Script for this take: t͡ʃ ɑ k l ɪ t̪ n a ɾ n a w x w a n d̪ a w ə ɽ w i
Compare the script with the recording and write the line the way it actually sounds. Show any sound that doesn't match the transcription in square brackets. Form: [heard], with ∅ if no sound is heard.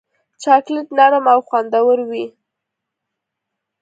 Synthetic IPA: t͡ʃ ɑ k l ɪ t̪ n a ɾ [m] a w x w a n d̪ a w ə [ɾ] w i